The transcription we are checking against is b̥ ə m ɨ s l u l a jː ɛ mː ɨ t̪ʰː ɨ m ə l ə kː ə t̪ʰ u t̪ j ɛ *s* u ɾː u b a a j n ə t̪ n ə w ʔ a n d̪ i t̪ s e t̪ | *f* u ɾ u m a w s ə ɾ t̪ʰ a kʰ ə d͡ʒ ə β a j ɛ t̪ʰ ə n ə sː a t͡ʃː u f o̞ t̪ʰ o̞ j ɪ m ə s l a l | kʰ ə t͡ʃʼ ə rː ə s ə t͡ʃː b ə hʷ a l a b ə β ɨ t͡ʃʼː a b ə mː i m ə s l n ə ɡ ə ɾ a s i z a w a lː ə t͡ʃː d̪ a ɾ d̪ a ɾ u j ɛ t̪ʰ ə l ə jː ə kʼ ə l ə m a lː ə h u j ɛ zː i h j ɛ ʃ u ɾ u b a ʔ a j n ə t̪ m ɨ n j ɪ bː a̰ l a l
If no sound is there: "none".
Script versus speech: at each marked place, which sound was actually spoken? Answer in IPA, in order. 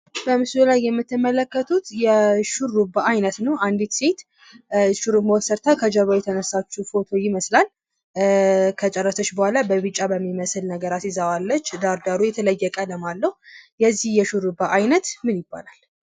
ʃ, ʃ

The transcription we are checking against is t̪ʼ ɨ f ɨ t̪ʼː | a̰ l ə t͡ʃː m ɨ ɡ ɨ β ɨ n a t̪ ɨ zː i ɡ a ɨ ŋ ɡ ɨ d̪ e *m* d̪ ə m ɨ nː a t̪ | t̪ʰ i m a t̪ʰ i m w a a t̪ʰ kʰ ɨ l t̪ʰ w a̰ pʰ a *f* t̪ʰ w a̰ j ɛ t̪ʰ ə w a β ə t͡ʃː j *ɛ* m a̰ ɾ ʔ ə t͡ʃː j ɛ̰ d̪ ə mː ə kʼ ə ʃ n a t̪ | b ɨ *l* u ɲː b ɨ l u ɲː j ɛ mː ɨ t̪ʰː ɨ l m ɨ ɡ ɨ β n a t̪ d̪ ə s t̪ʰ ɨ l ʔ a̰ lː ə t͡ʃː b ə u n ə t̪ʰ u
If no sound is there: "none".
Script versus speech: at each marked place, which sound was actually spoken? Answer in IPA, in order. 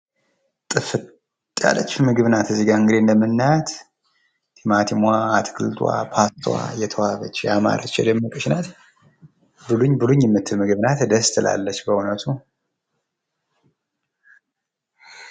n, s, a, l

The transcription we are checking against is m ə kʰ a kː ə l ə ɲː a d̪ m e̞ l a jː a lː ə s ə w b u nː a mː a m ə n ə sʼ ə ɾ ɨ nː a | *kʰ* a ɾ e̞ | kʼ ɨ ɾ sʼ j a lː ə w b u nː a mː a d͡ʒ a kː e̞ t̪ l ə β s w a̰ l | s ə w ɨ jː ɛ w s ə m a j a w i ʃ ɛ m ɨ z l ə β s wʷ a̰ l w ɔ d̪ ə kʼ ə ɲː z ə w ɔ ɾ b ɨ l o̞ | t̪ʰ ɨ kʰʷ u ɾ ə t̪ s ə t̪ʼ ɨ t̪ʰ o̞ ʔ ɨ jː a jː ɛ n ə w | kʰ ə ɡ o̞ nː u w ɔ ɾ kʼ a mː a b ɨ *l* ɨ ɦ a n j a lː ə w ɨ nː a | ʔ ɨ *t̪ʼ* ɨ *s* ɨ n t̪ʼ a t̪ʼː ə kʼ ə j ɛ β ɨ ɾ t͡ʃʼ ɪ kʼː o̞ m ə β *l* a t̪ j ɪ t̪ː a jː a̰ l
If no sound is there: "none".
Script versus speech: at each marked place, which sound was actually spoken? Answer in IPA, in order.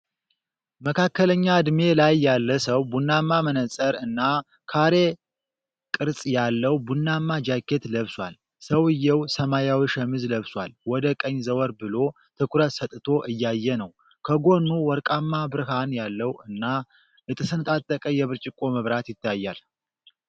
kʰ, ɾ, t̪ʼ, s, ɾ

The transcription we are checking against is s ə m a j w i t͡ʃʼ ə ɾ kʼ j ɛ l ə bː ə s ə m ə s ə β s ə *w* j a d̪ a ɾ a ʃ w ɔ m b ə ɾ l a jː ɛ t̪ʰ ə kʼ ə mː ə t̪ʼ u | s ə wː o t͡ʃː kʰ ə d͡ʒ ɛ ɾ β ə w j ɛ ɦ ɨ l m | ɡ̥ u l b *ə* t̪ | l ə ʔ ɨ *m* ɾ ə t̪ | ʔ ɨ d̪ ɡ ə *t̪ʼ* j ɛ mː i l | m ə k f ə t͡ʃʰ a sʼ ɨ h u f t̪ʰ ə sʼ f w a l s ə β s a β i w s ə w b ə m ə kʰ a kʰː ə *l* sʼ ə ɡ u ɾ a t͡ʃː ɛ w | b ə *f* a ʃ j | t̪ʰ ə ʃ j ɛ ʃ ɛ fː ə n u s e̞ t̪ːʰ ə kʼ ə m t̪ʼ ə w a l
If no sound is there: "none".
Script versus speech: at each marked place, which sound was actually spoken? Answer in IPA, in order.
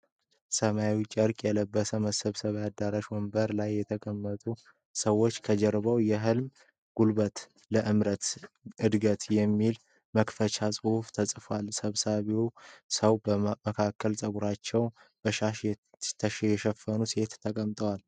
β, ə, m, t̪, l, ʃ

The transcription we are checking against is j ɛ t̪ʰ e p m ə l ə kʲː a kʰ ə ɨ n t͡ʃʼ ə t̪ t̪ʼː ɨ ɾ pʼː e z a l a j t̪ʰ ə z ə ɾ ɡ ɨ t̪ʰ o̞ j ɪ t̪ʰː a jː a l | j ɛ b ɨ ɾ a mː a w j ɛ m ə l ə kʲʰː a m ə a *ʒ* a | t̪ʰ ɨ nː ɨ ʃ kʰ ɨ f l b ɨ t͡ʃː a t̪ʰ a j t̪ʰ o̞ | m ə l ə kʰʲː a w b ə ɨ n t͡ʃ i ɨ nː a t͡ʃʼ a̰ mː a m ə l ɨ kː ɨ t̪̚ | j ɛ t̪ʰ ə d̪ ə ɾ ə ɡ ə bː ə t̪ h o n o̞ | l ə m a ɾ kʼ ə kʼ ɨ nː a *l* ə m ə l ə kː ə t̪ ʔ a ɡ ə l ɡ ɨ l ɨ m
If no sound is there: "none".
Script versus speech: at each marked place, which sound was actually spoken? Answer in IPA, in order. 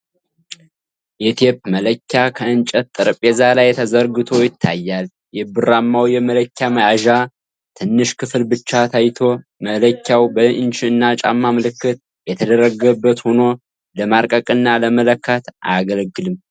ʒ, l

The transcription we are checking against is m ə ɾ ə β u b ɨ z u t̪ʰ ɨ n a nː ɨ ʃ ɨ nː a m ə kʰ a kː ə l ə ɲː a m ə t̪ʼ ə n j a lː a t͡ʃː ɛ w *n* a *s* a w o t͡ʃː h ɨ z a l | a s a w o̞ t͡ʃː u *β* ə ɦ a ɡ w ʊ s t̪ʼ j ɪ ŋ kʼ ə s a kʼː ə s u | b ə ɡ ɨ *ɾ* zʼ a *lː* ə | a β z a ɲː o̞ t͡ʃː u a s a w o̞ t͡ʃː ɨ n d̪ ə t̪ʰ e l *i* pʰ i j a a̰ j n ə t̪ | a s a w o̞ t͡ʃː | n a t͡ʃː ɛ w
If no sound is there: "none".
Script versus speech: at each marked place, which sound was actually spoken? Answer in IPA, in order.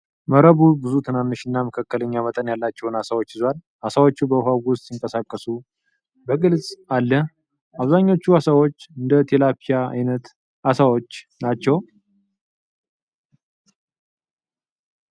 n, s, b, l, lː, a

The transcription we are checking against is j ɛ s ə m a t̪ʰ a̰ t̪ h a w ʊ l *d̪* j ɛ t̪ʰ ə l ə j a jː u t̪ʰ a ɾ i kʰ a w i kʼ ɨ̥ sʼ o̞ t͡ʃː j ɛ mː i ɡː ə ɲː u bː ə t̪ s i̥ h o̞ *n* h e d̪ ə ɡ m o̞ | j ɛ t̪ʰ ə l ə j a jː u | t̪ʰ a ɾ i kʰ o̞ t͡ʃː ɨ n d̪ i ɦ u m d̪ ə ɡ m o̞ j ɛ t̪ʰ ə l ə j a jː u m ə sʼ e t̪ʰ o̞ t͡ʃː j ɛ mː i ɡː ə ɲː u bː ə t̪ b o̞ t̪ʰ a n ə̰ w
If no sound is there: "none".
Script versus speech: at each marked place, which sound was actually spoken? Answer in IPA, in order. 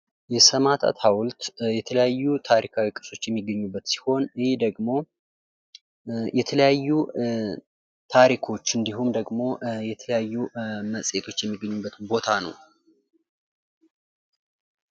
t̪, n

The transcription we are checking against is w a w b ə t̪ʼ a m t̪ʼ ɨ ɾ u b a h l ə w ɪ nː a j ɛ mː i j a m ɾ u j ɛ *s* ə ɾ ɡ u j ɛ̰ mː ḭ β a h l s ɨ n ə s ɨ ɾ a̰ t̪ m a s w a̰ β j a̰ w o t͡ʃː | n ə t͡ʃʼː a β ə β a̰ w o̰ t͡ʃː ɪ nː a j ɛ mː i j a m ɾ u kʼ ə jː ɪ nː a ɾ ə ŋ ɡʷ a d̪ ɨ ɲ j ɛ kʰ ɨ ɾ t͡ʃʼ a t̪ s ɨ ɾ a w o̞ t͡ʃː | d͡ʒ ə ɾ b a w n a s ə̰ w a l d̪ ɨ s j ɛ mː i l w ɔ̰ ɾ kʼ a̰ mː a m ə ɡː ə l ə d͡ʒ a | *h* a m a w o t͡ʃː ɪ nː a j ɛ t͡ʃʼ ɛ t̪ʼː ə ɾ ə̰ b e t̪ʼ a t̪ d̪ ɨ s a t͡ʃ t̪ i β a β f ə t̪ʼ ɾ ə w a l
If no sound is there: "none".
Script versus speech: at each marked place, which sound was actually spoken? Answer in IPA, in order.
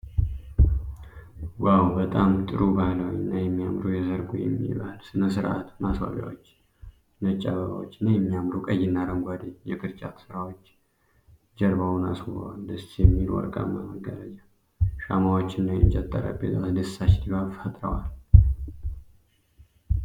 z, ʃ

